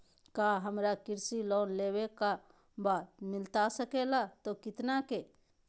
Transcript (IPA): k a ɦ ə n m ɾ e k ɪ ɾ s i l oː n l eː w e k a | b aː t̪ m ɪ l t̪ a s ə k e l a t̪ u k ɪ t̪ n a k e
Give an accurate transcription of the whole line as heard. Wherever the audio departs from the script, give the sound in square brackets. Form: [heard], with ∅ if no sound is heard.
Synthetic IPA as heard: k a ɦ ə [∅] m ɾ [a] k ɪ ɾ s i l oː n l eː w e k a | b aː t̪ m ɪ l t̪ a s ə k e l a t̪ [o] k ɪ t̪ n a k e

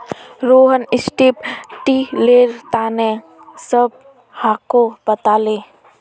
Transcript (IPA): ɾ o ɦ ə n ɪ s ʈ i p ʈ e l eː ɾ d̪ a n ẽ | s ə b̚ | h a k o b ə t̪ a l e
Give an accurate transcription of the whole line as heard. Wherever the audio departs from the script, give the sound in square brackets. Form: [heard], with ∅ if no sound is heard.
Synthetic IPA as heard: ɾ o ɦ ə n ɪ s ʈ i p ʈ [i] l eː ɾ [t̪] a n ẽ | s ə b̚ | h a k o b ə t̪ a l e

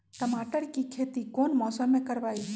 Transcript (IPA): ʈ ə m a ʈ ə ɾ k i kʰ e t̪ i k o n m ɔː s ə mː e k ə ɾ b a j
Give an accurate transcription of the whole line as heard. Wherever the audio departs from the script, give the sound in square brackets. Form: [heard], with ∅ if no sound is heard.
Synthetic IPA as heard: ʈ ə m a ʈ ə ɾ k i kʰ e t̪ i k o n m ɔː s ə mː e k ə ɾ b a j

